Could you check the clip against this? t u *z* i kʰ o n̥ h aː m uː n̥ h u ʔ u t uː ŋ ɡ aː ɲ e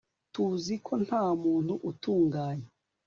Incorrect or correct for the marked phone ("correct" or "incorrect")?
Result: correct